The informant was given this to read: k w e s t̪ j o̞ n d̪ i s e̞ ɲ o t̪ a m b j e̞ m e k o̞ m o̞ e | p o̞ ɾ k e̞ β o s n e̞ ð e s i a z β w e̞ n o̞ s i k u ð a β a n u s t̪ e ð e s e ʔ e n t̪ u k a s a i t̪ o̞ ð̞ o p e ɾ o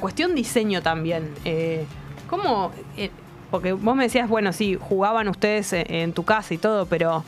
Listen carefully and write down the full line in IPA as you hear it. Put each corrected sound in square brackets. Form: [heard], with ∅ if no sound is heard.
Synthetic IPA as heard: k w e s t̪ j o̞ n d̪ i s e̞ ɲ o t̪ a m b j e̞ [n] e k o̞ m o̞ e | p o̞ ɾ k e̞ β o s [m] e̞ ð e s i a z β w e̞ n o̞ s i [x] u [ɣ] a β a n u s t̪ e ð e s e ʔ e n t̪ u k a s a i t̪ o̞ ð̞ o p e ɾ o